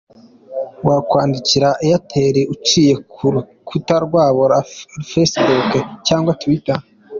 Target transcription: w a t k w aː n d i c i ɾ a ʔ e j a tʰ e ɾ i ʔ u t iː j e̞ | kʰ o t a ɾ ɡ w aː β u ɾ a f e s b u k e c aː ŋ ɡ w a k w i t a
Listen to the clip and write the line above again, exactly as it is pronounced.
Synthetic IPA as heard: w a k w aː n d i c i ɾ a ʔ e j a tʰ e ɾ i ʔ u t͡ʃ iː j e̞ | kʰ u t a ɾ ɡ w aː β o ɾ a f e s b u k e c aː ŋ ɡ w a t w i t a